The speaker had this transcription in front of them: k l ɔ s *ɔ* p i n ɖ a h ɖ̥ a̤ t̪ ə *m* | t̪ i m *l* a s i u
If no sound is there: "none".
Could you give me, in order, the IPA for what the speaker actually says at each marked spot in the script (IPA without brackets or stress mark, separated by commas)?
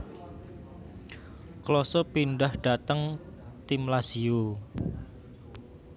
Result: ɔ, ŋ, l